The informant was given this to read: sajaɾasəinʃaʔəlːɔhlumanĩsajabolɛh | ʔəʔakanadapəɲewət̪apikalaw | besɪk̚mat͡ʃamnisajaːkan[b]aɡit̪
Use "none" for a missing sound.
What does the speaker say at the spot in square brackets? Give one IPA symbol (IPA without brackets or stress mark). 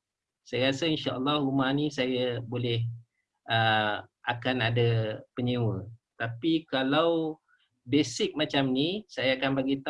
b